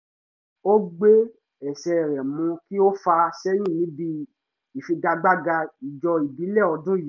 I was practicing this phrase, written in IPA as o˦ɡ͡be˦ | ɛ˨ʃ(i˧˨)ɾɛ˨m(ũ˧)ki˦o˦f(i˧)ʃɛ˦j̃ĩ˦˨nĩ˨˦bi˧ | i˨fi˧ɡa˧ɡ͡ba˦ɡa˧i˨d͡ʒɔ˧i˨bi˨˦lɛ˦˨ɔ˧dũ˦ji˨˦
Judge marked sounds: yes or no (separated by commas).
no, yes, no